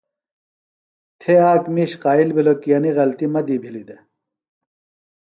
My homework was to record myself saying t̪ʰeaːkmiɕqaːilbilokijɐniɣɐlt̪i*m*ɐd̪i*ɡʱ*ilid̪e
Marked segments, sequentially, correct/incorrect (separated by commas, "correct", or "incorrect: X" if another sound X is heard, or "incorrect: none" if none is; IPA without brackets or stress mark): correct, incorrect: bʱ